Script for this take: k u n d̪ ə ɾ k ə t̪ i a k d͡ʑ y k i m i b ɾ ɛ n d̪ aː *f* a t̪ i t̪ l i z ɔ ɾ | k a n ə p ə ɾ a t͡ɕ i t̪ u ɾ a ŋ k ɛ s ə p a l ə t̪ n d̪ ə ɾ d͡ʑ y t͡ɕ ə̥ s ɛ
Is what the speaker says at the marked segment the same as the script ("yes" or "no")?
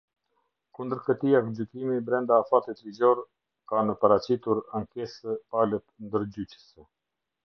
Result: yes